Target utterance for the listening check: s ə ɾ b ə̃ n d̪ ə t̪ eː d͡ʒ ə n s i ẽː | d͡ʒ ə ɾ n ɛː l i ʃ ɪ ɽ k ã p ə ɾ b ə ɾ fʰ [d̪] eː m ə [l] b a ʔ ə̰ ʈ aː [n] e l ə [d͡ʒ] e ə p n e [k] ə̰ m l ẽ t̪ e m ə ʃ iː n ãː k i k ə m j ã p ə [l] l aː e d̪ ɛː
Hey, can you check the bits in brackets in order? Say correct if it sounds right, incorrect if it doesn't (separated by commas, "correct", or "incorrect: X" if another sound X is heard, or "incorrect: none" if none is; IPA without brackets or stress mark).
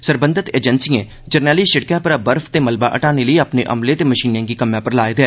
incorrect: t̪, correct, correct, incorrect: none, incorrect: ʔ, incorrect: ɾ